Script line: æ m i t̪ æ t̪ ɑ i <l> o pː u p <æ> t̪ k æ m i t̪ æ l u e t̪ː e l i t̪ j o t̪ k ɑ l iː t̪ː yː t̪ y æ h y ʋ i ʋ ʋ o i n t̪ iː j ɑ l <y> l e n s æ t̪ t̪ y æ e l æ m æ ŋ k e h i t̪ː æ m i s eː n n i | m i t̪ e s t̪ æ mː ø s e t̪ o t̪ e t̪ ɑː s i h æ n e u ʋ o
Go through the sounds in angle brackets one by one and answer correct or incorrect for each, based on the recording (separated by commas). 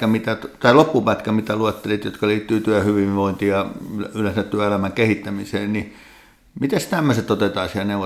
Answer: correct, correct, correct